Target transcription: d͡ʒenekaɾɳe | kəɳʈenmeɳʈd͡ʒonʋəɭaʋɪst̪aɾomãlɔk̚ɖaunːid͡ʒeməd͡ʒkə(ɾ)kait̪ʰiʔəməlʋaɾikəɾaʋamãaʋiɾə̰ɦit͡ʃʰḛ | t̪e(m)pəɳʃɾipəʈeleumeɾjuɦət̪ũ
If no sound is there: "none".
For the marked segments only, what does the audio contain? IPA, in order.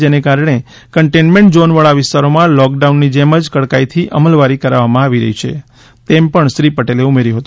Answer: ɽ, m

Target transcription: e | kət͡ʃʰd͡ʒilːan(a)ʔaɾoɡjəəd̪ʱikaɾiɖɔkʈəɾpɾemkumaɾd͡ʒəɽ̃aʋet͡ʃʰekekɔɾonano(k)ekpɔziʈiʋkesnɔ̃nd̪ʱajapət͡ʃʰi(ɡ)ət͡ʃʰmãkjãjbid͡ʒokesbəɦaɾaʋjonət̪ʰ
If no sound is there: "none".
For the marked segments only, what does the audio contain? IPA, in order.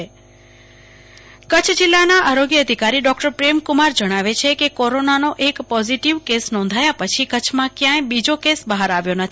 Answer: a, ʔ, k

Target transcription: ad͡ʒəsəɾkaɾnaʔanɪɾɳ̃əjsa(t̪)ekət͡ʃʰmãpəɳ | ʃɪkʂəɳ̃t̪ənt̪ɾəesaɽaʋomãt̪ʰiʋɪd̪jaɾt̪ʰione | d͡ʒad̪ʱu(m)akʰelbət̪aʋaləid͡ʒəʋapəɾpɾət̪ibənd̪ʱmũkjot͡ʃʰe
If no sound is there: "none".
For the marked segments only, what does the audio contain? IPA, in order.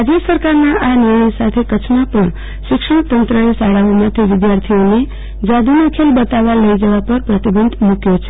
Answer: t̪ʰ, n

